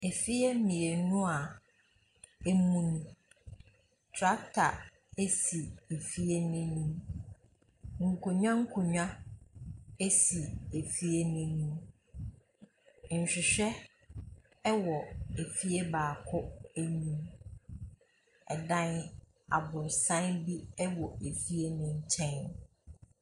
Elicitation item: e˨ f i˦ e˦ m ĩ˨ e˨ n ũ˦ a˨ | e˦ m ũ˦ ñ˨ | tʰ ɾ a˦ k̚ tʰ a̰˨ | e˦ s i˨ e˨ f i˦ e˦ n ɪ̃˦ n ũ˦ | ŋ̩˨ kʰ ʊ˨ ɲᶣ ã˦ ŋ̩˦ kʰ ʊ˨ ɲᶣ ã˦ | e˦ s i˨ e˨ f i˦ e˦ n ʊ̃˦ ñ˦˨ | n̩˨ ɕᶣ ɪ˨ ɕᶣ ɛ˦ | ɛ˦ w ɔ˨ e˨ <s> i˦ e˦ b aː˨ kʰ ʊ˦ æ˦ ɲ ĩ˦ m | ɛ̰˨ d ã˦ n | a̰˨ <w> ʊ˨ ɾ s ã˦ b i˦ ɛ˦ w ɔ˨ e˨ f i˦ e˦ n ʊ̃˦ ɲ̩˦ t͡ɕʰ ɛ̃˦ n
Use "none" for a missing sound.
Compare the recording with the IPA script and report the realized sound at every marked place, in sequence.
f, b

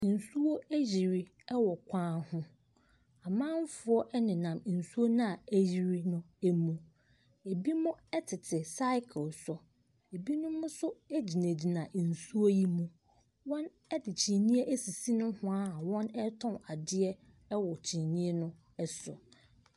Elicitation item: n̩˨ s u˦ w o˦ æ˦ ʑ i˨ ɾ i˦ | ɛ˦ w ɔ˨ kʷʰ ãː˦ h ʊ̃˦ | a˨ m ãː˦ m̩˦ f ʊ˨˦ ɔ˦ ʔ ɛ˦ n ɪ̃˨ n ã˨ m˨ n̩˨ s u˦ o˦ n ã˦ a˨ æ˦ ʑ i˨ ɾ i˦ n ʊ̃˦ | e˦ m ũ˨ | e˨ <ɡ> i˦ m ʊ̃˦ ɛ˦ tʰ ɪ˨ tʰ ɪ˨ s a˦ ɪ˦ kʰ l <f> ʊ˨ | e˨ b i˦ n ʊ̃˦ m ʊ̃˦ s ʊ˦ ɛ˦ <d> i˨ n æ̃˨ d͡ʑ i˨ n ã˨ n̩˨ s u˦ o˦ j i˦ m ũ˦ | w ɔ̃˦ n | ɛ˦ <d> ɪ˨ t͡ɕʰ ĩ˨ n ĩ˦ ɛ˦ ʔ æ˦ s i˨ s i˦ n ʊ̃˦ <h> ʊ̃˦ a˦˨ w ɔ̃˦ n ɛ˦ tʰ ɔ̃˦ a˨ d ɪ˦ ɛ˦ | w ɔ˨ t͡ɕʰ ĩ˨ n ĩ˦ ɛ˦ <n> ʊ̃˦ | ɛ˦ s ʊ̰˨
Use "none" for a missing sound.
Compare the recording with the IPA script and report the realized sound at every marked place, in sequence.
b, s, d͡ʑ, d, h, n

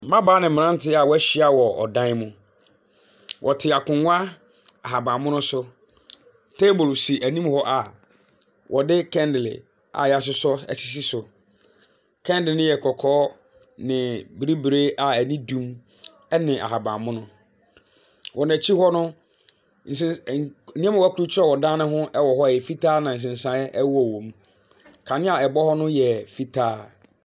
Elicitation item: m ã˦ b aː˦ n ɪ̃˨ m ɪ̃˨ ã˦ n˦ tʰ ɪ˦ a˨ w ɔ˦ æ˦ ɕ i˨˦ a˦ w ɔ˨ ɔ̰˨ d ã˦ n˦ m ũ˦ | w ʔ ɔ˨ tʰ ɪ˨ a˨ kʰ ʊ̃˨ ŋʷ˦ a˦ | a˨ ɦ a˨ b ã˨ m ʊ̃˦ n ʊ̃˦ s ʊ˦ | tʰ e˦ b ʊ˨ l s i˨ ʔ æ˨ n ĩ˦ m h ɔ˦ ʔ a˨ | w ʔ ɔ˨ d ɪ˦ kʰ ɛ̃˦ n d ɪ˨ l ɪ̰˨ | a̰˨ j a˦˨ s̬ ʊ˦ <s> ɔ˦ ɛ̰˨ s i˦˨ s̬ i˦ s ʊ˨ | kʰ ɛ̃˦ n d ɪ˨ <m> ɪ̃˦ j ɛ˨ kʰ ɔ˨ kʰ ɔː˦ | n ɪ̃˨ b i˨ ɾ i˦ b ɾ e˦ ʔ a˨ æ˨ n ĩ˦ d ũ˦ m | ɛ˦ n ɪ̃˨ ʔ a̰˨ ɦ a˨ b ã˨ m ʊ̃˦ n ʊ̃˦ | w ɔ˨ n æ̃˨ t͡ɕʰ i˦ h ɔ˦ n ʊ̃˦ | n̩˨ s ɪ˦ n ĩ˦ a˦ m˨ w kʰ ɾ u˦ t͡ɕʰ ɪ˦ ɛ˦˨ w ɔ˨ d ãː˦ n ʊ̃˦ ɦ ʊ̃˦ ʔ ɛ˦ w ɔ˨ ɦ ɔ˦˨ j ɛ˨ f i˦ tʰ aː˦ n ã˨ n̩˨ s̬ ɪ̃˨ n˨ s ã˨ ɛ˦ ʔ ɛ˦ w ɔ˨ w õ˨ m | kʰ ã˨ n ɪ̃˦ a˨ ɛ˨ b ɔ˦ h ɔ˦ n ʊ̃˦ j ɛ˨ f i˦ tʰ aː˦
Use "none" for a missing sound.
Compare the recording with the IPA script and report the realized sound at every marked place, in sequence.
s, n

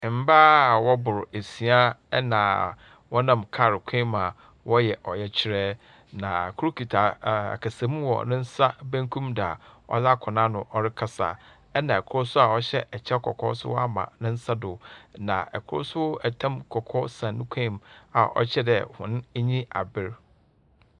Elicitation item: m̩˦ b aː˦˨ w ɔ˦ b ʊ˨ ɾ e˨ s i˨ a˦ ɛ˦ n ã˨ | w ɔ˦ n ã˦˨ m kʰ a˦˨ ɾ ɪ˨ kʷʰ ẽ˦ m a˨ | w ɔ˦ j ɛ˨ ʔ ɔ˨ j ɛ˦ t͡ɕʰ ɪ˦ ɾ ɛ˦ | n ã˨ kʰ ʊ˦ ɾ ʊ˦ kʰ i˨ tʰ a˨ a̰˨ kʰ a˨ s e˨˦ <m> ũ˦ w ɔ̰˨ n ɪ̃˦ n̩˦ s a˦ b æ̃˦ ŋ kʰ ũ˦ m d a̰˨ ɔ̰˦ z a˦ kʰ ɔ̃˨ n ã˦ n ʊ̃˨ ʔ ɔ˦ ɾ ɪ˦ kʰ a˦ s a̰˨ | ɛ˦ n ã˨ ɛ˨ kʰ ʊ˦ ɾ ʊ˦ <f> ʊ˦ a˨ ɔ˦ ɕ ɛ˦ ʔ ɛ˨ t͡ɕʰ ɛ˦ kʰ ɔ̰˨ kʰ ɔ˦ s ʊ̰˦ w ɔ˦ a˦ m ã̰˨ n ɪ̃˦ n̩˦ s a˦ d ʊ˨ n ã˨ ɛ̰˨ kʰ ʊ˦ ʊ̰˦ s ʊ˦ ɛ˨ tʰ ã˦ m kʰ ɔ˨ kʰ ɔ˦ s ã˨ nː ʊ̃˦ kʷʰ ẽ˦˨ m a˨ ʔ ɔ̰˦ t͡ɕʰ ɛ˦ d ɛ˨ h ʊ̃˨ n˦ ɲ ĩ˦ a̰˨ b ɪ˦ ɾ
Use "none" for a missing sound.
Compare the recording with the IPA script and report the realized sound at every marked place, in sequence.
m, s

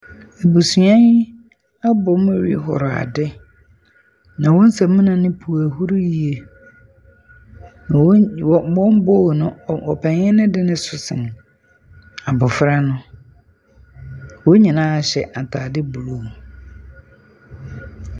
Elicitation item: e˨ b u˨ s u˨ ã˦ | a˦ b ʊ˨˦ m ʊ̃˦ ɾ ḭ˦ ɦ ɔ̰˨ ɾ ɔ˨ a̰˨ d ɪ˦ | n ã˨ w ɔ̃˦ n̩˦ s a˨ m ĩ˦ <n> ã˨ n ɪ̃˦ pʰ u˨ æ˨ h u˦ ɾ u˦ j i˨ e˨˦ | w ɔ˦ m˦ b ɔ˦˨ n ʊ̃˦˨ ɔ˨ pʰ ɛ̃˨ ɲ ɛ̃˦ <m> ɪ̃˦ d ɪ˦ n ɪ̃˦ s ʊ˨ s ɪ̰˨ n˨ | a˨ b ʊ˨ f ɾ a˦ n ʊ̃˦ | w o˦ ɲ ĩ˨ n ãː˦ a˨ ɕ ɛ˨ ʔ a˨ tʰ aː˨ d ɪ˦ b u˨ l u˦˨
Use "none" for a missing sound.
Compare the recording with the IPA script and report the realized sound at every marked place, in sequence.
n, n

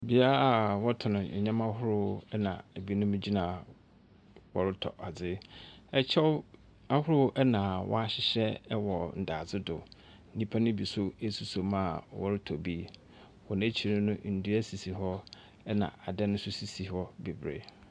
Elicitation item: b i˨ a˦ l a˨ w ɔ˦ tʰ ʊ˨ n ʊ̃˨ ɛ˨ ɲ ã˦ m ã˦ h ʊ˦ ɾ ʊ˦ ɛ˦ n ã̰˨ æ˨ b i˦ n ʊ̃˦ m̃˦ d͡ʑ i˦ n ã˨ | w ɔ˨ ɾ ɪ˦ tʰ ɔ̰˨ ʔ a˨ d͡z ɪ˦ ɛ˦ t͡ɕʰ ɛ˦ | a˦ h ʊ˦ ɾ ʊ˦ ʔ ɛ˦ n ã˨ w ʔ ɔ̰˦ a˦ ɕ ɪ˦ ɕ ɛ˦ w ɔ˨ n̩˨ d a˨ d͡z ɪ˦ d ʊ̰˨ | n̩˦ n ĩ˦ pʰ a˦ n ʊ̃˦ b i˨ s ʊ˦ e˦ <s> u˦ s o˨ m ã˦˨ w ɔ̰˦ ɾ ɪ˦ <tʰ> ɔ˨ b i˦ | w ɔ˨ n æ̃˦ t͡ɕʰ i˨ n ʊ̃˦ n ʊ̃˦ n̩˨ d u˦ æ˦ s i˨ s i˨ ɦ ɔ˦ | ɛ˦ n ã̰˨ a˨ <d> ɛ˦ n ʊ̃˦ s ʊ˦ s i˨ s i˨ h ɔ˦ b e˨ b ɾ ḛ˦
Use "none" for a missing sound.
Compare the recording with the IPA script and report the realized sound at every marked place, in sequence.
s, tʰ, d

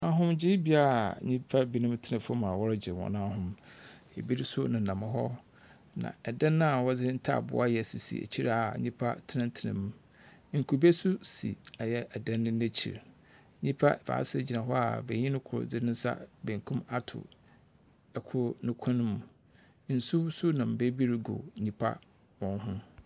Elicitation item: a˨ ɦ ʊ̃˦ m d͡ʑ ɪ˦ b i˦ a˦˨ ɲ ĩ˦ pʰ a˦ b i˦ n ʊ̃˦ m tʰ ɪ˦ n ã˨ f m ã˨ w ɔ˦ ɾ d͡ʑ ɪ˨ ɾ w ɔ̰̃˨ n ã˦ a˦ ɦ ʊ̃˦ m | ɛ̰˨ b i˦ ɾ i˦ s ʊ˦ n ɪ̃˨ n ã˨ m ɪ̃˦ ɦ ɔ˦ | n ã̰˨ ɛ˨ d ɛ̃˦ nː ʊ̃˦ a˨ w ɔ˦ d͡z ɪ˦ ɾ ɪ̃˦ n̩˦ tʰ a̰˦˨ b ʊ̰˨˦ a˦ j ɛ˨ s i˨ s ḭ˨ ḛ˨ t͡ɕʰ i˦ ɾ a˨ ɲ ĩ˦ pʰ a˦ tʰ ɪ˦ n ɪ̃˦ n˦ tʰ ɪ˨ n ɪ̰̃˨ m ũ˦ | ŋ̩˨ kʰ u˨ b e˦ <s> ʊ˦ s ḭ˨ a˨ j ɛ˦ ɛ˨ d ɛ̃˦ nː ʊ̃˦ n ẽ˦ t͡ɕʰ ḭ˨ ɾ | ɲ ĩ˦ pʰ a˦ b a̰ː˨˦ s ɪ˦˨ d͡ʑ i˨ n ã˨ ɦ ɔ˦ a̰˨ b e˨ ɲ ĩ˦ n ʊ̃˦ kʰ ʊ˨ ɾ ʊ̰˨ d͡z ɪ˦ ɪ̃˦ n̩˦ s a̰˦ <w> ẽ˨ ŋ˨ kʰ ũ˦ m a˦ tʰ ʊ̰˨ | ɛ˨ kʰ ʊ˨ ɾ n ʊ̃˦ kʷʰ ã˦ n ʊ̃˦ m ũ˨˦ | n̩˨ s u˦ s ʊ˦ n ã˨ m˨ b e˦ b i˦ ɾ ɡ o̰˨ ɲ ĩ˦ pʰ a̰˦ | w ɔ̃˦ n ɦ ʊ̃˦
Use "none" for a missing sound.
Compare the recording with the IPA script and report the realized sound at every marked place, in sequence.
s, b

